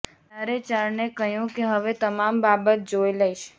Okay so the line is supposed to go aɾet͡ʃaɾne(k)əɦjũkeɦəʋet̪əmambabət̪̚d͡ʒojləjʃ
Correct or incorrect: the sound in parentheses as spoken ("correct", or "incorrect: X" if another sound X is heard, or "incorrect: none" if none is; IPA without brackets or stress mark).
correct